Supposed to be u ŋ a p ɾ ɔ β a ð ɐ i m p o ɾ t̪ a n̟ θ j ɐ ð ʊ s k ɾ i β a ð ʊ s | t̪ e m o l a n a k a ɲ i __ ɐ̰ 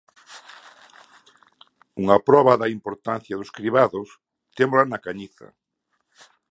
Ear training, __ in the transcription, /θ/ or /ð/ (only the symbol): θ